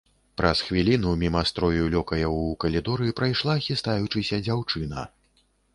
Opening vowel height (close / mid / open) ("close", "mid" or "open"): open